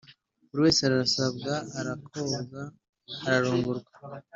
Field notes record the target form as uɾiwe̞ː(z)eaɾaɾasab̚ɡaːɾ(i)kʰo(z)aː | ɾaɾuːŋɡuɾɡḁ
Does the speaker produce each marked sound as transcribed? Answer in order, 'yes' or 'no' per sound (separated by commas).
no, no, yes